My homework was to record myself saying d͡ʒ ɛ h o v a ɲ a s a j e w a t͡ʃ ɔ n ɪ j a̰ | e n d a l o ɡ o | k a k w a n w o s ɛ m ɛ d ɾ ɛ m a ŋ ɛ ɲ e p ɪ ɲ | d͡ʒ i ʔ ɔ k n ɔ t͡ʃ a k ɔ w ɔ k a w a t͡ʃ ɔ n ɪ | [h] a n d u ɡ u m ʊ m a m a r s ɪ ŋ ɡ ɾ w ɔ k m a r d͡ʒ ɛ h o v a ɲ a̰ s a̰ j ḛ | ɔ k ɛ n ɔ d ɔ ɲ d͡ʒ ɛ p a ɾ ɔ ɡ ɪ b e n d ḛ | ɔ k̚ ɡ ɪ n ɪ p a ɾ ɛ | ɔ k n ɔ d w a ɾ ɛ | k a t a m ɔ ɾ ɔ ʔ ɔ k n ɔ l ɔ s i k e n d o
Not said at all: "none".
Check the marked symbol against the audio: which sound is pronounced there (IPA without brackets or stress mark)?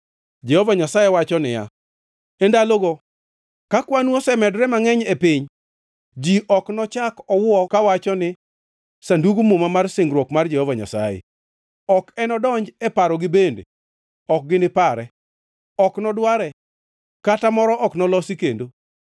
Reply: s